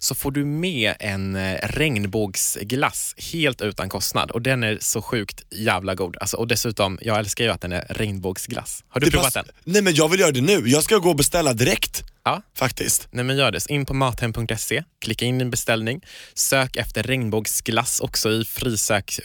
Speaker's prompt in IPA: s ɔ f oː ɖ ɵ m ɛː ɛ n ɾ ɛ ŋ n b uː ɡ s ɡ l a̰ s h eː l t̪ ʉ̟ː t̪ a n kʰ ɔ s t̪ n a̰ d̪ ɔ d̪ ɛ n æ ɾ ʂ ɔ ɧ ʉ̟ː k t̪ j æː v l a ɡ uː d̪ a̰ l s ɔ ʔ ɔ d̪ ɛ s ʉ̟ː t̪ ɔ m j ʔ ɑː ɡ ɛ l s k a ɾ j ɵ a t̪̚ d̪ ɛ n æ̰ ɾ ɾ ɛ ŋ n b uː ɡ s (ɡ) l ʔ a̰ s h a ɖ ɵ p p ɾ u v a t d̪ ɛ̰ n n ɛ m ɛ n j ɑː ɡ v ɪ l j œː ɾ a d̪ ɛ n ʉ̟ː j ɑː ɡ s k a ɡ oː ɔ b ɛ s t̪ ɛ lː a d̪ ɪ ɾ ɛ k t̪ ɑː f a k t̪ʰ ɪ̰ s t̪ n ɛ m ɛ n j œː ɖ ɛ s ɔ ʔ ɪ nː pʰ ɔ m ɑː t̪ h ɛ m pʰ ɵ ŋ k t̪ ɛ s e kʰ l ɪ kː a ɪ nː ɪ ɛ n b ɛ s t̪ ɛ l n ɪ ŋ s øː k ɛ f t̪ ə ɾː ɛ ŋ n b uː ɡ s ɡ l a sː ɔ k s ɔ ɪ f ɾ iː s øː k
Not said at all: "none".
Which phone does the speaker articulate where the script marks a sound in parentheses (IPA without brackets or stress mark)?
ɡ